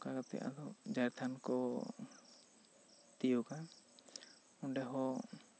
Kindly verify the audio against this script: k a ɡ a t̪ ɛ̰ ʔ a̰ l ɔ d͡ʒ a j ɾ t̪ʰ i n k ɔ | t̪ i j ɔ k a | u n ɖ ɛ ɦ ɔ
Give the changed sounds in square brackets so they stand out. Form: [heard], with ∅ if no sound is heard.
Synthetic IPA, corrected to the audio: k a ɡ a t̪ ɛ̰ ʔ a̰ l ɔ d͡ʒ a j ɾ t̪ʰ [a] n k ɔ | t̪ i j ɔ k a | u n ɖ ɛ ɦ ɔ